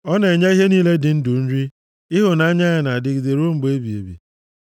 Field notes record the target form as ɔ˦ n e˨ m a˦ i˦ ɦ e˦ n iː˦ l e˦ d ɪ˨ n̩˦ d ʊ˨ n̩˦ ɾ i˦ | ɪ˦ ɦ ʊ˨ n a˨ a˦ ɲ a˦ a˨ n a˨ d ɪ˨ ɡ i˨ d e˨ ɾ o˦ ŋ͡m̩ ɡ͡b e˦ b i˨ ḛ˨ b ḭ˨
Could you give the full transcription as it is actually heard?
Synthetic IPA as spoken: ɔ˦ n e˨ ɲ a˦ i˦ ɦ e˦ n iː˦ l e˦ d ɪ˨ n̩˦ d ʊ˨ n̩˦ ɾ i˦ | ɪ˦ ɦ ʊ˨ n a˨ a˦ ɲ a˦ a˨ n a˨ d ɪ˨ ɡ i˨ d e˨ ɾ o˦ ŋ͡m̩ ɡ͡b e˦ b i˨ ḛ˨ b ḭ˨